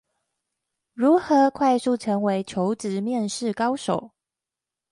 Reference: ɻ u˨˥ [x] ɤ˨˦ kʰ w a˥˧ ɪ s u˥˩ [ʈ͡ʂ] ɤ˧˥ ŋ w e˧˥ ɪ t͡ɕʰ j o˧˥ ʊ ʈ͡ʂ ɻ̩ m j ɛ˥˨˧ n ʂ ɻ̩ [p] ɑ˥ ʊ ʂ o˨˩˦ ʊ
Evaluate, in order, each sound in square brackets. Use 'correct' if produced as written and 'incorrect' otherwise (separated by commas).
correct, incorrect, incorrect